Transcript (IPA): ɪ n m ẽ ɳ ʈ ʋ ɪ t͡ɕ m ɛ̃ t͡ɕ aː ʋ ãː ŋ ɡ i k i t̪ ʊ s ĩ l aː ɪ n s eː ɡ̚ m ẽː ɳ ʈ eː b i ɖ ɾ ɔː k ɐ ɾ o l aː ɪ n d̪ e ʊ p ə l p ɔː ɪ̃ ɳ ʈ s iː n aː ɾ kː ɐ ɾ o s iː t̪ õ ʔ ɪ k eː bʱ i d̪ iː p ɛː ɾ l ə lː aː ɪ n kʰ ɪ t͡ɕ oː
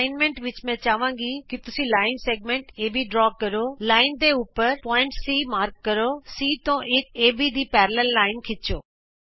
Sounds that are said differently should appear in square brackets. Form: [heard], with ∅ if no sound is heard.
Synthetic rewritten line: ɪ n m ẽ ɳ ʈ ʋ ɪ t͡ɕ m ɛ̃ t͡ɕ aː ʋ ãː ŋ ɡ i k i t̪ ʊ s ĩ l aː ɪ n s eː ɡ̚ m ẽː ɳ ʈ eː b i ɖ ɾ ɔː k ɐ ɾ o l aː ɪ n d̪ e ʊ p ə [ɾ] p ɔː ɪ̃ ɳ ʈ s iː [m] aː ɾ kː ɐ ɾ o s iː t̪ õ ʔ ɪ k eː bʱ i d̪ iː p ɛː ɾ l ə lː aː ɪ n kʰ ɪ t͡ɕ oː